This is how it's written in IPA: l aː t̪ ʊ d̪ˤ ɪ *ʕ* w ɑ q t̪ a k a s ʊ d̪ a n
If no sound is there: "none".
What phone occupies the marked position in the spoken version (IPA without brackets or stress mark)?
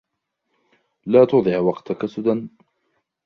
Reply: ʕ